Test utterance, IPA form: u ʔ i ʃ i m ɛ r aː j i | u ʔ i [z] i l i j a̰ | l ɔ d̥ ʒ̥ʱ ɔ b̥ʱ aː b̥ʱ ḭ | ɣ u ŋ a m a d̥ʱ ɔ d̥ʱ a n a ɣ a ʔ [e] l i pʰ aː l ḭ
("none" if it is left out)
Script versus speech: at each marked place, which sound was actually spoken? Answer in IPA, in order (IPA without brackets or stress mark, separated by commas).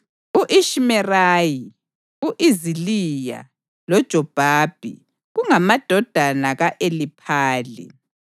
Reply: z, e